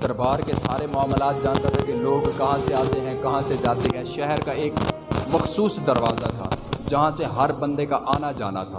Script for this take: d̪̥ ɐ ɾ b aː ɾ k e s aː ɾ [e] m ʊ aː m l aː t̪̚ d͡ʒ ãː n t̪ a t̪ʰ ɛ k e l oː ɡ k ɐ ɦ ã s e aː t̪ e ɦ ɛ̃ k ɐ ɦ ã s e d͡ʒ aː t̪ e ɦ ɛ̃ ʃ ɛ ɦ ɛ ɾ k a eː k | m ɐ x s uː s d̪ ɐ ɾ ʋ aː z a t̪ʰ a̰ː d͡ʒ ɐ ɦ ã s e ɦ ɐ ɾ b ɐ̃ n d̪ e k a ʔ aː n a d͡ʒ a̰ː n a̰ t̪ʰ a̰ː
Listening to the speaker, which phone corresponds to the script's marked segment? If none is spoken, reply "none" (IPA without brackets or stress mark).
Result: e